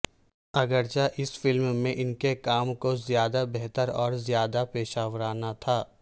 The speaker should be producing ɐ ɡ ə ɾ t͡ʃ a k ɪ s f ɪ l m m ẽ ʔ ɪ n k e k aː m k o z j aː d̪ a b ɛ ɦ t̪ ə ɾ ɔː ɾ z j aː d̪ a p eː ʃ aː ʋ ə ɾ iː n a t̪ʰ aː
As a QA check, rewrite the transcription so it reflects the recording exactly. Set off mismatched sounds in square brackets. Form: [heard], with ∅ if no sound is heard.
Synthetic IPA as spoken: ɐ ɡ ə ɾ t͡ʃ a [ʔ] ɪ s f ɪ l m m ẽ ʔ ɪ n k e k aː m k o z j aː d̪ a b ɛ ɦ t̪ ə ɾ ɔː ɾ z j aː d̪ a p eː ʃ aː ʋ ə ɾ [aː] n a t̪ʰ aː